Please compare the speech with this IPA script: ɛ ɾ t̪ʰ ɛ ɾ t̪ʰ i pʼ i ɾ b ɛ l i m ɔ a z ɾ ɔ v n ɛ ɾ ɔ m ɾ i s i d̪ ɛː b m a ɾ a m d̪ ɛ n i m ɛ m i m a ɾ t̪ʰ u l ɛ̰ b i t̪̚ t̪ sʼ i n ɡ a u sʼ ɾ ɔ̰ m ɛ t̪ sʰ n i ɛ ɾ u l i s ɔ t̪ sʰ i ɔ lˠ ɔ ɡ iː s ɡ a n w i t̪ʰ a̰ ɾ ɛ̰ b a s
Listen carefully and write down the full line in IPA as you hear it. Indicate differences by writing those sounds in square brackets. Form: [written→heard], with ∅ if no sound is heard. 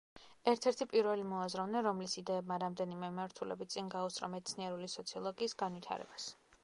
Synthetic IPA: ɛ ɾ t̪ʰ ɛ ɾ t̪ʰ i pʼ i ɾ [b→v] ɛ l i m ɔ a z ɾ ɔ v n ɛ ɾ ɔ m [ɾ→l] i s i d̪ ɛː b m a ɾ a m d̪ ɛ n i m ɛ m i m a ɾ t̪ʰ u l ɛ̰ b i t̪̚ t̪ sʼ i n ɡ a u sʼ ɾ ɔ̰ m ɛ t̪ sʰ n i ɛ ɾ u l i s ɔ t̪ sʰ i ɔ lˠ ɔ ɡ iː s ɡ a n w i t̪ʰ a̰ ɾ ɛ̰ b a s